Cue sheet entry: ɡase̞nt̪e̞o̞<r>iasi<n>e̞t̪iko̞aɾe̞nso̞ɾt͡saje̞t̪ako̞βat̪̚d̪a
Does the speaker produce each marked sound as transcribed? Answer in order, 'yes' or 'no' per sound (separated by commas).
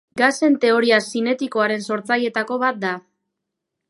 no, yes